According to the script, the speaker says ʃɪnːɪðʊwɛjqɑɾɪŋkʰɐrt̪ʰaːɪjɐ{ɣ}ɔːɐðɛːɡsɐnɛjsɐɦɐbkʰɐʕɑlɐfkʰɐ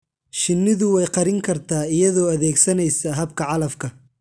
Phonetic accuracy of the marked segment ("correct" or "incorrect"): incorrect